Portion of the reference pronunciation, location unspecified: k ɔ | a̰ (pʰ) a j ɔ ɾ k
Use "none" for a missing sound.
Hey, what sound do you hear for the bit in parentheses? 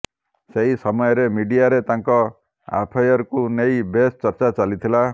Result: pʰ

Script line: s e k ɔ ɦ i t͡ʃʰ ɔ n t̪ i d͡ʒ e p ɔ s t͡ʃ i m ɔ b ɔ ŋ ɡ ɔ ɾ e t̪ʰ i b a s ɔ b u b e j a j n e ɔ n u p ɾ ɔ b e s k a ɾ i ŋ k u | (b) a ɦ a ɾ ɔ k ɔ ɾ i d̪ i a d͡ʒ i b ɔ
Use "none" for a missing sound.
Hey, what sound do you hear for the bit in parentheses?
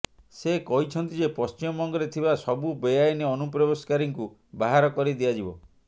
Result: b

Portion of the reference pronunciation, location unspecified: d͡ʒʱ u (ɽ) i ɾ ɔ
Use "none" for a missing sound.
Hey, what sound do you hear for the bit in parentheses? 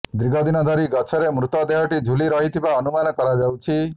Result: l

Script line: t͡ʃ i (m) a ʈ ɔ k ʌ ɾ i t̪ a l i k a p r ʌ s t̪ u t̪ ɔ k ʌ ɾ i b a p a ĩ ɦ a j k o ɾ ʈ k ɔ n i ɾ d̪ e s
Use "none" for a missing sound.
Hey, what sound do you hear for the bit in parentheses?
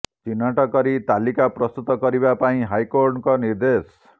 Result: n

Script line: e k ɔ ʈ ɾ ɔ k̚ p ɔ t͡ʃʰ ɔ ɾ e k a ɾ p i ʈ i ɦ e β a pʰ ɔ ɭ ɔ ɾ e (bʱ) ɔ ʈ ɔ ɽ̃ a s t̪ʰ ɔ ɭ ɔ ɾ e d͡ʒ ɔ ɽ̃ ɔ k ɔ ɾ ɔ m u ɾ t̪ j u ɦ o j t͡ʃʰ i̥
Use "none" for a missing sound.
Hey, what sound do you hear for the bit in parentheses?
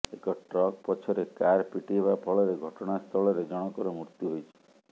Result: ɡʱ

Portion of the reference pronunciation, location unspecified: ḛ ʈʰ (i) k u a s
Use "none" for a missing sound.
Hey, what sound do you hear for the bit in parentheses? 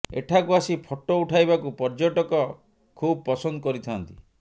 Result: a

